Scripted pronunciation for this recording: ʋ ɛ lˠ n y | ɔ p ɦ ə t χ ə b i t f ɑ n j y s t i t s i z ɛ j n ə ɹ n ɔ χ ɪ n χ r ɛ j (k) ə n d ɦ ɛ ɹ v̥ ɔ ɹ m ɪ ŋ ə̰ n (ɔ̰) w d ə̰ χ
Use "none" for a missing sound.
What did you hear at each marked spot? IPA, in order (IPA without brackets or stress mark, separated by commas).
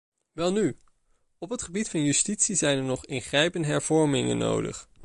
p, o̰